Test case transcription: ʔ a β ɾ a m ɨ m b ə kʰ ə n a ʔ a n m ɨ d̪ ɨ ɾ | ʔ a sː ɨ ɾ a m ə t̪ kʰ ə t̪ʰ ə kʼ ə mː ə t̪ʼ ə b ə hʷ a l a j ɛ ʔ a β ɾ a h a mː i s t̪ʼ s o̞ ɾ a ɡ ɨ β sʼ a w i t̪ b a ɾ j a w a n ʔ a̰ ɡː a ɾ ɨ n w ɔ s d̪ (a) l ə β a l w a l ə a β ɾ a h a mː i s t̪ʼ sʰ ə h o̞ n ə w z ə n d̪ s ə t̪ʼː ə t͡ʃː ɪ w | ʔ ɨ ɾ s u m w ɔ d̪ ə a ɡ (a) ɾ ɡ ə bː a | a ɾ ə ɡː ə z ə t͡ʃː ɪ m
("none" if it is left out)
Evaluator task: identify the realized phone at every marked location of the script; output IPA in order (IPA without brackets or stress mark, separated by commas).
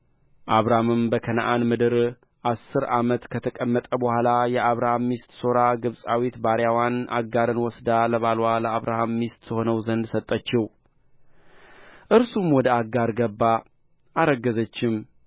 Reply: a, a